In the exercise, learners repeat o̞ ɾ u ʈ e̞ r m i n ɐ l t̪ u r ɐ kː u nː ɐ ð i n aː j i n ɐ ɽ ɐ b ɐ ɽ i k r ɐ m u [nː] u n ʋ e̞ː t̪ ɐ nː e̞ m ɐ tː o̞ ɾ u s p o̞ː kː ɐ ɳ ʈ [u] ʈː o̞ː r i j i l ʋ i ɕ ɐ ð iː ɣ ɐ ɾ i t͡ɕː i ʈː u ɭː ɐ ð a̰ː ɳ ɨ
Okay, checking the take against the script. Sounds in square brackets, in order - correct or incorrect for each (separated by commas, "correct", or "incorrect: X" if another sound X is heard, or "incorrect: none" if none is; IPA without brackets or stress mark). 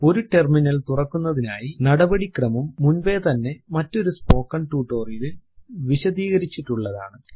incorrect: mː, incorrect: uː